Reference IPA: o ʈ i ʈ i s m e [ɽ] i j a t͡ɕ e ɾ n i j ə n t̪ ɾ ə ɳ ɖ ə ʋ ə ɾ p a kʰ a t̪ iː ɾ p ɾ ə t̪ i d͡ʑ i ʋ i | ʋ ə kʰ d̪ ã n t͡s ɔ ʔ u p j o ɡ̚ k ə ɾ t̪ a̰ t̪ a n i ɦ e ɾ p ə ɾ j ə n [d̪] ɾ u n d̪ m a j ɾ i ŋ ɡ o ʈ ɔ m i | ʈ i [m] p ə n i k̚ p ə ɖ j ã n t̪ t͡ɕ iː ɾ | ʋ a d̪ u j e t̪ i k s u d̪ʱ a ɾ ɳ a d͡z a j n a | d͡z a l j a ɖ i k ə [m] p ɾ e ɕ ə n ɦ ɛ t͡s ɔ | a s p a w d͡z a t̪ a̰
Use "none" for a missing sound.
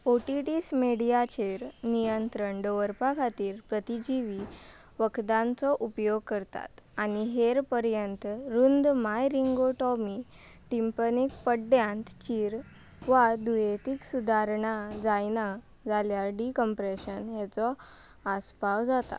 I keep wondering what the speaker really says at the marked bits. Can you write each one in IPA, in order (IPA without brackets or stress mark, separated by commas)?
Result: ɽ, t̪, m, m